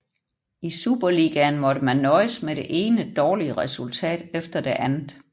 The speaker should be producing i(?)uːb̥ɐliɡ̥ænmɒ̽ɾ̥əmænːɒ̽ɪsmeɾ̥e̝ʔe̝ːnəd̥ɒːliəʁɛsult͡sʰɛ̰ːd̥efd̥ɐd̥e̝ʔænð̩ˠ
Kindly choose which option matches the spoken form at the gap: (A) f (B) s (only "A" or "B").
B